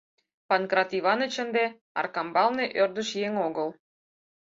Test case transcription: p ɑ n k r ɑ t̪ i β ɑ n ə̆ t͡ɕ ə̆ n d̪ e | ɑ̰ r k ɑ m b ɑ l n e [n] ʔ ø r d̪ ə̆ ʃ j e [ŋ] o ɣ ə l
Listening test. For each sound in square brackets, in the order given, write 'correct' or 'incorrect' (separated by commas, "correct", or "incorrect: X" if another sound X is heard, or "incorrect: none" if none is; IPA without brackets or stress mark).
incorrect: none, correct